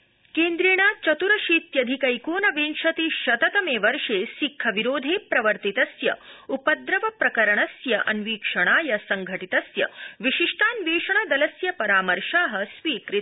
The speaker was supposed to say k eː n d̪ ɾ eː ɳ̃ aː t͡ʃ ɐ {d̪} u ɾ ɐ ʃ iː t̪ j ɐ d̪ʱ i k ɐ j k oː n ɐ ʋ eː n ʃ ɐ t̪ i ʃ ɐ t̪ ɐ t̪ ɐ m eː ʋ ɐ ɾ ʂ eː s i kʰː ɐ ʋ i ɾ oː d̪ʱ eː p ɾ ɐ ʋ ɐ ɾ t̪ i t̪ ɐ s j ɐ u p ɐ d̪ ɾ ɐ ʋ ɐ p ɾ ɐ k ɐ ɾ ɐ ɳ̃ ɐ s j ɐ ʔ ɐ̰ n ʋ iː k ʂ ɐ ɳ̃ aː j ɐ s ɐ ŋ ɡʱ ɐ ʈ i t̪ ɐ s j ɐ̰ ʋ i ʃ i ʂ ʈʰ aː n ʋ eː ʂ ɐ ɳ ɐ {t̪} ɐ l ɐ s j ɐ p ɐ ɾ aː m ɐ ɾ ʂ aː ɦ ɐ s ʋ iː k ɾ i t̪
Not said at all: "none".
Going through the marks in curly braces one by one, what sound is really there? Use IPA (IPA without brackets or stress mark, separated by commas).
t̪, d̪